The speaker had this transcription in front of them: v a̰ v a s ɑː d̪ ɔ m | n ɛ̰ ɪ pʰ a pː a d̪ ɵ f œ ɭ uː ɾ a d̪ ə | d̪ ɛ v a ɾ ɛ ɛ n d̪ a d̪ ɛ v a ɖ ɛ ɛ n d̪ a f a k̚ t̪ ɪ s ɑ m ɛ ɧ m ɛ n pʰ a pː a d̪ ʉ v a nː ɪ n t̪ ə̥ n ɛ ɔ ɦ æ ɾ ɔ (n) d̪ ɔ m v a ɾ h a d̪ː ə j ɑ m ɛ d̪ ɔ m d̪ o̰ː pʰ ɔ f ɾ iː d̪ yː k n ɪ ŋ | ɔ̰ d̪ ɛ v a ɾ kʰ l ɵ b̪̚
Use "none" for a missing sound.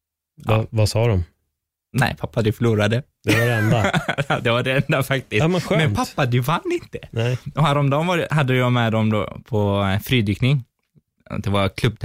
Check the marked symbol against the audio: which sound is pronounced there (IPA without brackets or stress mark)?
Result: m